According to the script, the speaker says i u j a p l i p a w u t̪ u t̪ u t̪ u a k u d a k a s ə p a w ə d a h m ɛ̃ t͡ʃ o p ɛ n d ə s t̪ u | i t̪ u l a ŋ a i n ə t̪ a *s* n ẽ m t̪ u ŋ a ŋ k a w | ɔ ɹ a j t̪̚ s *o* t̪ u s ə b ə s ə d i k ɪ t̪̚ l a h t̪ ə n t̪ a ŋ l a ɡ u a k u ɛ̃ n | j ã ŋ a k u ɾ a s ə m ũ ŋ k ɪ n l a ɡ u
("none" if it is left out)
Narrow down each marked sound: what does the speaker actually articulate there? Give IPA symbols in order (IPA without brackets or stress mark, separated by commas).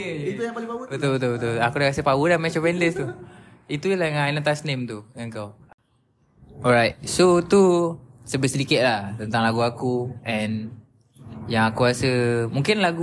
s, o